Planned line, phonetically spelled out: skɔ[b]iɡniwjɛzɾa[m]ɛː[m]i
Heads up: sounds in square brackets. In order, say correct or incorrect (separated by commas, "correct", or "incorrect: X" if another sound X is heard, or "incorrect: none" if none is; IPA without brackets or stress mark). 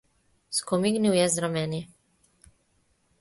incorrect: m, correct, incorrect: n